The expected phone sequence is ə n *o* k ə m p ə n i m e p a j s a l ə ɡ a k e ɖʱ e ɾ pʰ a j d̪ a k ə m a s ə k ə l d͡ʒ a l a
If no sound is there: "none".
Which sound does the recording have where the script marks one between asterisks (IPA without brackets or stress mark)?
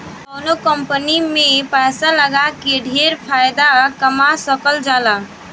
o